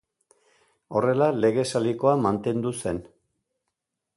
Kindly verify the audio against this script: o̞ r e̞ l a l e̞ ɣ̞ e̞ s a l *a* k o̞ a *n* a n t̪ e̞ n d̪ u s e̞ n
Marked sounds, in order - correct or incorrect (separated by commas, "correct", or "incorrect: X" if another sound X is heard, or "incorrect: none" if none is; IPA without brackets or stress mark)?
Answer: incorrect: i, incorrect: m